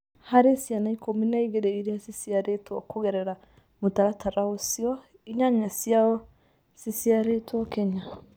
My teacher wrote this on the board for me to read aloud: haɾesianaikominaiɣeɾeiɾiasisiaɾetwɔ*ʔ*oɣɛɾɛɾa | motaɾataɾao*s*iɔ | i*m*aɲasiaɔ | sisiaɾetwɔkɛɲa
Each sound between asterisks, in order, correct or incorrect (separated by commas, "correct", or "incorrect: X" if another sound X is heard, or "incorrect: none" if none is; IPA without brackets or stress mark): incorrect: k, correct, incorrect: ɲ